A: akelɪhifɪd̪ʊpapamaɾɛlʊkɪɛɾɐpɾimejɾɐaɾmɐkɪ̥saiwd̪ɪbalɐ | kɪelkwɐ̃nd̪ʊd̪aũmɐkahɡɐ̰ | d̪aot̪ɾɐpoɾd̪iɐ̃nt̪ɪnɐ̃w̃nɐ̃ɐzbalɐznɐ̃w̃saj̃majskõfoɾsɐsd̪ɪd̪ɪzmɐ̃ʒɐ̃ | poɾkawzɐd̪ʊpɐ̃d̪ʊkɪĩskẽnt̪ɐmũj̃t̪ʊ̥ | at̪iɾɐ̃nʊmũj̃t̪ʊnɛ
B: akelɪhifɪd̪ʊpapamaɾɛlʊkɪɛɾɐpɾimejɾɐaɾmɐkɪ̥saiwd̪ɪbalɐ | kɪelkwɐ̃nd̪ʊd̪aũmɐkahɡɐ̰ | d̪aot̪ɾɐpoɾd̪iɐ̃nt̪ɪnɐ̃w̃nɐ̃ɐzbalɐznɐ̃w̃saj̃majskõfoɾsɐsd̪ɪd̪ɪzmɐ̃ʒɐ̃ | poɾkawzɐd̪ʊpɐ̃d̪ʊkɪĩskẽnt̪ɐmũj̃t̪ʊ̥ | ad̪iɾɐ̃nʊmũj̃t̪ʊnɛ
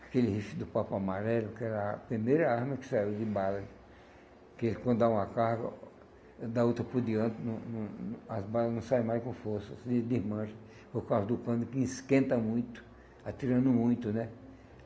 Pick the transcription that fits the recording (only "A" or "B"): A